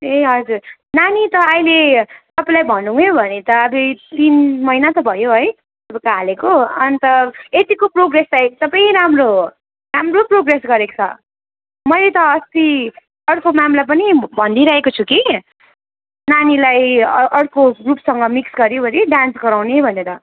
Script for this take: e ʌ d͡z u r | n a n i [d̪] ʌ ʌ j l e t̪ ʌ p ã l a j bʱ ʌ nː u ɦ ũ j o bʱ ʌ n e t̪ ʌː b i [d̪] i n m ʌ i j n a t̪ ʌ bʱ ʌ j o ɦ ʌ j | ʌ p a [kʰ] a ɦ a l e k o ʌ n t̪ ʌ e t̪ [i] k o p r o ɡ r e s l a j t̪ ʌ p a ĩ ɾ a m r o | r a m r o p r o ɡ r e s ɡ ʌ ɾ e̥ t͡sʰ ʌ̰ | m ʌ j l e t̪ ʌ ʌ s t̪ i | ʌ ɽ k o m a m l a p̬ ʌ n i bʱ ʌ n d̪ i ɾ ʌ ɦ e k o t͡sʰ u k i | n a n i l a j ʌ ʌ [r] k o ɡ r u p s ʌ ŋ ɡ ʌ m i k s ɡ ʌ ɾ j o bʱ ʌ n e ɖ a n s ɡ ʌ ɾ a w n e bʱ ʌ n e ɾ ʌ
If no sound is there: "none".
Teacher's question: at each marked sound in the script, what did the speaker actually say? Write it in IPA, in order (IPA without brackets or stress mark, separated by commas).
t̪, t̪, k, i, ɽ